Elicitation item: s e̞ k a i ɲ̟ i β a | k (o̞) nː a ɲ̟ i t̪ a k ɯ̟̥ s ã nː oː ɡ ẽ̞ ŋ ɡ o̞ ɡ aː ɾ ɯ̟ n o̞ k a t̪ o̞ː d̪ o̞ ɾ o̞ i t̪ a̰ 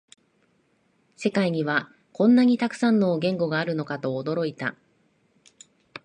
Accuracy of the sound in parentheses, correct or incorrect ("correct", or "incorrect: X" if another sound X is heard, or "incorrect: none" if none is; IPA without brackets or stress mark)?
incorrect: õ̞